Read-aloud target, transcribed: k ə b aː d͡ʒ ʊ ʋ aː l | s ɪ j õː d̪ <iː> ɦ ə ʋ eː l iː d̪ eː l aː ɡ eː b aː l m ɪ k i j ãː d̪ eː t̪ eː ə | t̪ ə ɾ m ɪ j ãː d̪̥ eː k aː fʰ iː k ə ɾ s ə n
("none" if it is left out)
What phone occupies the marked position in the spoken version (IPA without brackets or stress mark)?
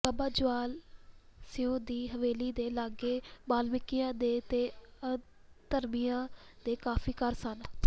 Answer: iː